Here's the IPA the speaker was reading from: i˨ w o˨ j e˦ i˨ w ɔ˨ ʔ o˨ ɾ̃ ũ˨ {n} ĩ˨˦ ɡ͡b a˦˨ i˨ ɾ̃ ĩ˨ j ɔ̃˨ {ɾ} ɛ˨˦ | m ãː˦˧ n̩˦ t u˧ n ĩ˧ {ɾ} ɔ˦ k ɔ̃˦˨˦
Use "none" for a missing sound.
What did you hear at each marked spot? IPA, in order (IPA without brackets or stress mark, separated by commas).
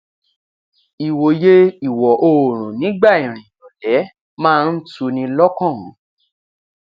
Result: n, l, l